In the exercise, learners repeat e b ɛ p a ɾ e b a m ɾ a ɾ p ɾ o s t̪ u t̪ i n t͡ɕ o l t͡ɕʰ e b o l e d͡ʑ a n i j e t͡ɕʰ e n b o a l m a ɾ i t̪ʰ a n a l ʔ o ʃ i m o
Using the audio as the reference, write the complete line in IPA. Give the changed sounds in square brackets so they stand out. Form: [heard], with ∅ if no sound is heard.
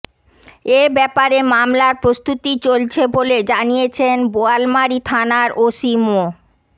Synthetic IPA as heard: e b ɛ p a ɾ e [m] a m [l] a ɾ p ɾ o s t̪ u t̪ i [∅] t͡ɕ o l t͡ɕʰ e b o l e d͡ʑ a n i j e t͡ɕʰ e n b o a l m a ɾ i t̪ʰ a n a [ɾ] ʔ o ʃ i m o